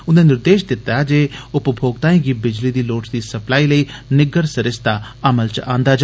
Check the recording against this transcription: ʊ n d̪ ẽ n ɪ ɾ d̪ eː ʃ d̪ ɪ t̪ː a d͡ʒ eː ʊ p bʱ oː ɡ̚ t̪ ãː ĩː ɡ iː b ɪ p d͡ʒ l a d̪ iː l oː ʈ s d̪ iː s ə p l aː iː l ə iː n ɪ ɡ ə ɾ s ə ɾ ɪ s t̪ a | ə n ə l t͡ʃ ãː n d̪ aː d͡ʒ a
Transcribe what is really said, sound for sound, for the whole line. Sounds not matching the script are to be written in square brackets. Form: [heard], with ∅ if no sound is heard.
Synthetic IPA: ʊ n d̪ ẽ n ɪ ɾ d̪ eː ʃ d̪ ɪ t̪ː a d͡ʒ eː ʊ p bʱ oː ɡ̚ t̪ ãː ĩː ɡ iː b ɪ [∅] d͡ʒ l [i] d̪ iː l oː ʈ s d̪ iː s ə p l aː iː l ə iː n ɪ ɡ ə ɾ s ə ɾ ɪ s t̪ a | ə [m] ə l t͡ʃ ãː n d̪ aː d͡ʒ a